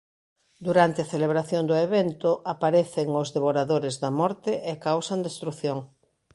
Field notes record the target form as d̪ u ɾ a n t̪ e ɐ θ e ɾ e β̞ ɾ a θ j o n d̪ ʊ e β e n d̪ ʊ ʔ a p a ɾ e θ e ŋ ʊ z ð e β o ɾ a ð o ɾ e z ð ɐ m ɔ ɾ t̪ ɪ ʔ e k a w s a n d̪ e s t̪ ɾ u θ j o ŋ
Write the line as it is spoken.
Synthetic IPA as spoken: d̪ u ɾ a n t̪ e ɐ θ e l e β̞ ɾ a θ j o n d̪ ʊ e β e n t̪ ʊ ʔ a p a ɾ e θ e ŋ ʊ z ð e β o ɾ a ð o ɾ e z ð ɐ m ɔ ɾ t̪ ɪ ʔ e k a w s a n d̪ e s t̪ ɾ u θ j o ŋ